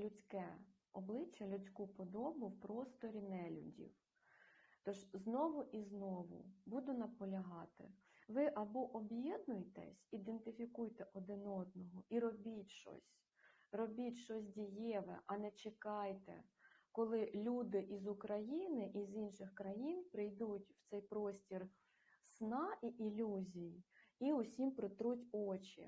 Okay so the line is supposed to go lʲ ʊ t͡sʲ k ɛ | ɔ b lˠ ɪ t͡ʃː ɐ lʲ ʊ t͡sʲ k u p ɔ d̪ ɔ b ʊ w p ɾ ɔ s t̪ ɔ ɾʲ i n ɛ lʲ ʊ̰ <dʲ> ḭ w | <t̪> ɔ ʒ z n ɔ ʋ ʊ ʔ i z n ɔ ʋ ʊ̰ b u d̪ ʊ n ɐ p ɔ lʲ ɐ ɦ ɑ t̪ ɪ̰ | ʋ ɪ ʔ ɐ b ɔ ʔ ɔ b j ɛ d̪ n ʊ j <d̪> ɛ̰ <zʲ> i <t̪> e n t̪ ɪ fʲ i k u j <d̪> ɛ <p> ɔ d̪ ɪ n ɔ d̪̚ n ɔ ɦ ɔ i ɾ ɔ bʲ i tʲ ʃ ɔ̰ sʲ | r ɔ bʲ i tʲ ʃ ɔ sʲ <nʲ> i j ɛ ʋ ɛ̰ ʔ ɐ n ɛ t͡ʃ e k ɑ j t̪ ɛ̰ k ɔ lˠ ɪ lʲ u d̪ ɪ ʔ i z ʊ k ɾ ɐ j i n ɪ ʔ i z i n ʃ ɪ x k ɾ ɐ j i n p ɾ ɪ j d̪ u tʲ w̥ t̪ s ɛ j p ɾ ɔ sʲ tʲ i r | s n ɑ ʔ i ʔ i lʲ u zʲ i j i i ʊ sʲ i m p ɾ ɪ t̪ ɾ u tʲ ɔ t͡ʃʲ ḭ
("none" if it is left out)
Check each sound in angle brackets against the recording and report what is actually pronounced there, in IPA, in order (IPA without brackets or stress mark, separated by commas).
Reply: dʲ, t̪, t̪, sʲ, d̪, t̪, ʔ, dʲ